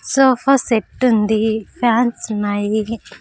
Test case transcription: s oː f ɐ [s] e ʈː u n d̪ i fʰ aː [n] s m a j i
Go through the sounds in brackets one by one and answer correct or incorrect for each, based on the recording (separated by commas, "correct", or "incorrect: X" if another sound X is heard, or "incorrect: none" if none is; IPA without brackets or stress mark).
correct, correct